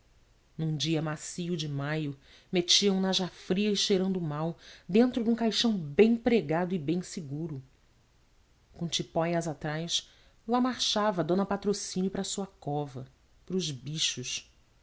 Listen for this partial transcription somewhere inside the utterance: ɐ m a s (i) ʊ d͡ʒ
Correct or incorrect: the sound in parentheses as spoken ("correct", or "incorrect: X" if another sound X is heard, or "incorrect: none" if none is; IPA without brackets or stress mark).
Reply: correct